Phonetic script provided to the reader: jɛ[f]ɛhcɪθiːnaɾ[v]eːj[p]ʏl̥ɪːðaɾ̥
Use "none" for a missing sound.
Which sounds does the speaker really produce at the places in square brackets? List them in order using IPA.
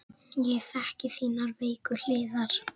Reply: θ, v, k

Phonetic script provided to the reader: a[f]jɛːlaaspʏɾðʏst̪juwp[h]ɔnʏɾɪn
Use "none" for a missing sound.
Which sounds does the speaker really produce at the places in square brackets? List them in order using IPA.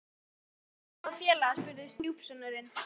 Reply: f, s

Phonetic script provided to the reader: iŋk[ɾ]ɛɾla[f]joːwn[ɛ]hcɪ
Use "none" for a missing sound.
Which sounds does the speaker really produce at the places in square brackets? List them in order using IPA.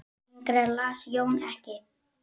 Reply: ɾ, s, ɛ

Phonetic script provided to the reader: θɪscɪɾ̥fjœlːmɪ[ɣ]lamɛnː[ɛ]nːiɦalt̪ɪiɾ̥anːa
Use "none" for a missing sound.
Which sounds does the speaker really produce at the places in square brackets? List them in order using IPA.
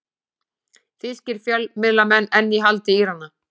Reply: ð, ɛ

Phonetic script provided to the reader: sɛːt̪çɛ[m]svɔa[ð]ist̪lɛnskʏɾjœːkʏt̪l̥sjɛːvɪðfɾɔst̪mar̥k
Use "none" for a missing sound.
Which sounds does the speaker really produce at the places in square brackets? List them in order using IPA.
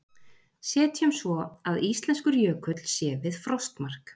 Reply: m, ð

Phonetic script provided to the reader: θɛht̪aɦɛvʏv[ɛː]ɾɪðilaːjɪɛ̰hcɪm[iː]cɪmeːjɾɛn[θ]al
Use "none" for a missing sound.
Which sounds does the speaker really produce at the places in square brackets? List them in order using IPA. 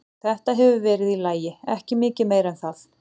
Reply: ɛː, ɪː, θ

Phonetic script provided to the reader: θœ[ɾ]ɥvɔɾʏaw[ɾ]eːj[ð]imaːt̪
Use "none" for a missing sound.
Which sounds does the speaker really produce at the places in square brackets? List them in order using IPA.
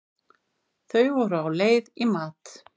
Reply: none, l, ð

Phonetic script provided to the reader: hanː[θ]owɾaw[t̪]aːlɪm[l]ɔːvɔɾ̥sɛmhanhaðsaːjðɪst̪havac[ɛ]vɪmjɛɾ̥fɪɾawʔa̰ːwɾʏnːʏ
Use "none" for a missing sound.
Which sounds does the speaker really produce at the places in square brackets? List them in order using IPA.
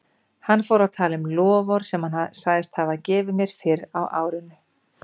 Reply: f, t̪ʰ, l, ɛː

